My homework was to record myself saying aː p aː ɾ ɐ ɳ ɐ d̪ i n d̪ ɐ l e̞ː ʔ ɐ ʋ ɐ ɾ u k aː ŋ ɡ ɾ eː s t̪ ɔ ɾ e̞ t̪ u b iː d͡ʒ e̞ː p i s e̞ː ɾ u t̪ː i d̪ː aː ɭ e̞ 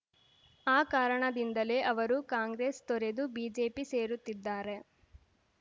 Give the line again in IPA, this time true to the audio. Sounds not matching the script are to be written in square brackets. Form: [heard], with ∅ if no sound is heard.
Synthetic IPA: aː [k] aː ɾ ɐ ɳ ɐ d̪ i n d̪ ɐ l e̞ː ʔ ɐ ʋ ɐ ɾ u k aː ŋ ɡ ɾ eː s t̪ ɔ ɾ e̞ [d̪] u b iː d͡ʒ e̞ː p i s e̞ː ɾ u t̪ː i d̪ː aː [ɾ] e̞